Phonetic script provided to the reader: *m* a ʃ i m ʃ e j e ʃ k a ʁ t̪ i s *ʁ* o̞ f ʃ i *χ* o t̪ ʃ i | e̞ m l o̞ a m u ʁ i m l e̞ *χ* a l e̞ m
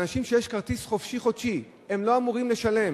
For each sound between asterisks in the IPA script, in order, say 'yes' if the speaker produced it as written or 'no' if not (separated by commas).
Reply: no, no, yes, no